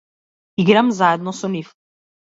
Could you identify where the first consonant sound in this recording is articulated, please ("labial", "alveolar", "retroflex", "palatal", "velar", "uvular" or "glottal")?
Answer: velar